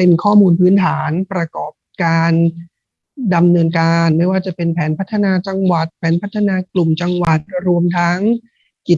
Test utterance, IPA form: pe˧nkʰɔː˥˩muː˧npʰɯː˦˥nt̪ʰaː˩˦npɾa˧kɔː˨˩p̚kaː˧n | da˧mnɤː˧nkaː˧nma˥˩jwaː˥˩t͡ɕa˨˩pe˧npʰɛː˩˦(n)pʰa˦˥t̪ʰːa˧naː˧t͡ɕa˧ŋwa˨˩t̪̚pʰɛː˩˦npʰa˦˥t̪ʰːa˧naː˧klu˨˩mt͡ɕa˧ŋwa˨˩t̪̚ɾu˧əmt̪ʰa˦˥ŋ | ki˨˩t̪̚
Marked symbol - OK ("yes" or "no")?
yes